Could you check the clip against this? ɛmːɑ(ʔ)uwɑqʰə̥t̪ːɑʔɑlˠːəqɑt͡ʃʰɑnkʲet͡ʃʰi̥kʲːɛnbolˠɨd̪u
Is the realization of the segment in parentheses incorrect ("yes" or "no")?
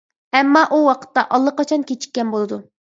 no